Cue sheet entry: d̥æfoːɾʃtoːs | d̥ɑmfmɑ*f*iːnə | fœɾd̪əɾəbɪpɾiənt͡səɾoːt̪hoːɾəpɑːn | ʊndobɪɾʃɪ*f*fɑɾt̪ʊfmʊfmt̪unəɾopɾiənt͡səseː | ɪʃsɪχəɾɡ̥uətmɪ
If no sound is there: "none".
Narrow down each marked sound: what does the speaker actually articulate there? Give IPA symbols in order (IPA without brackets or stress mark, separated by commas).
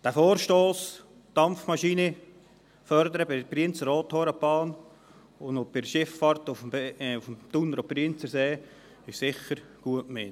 ʃ, f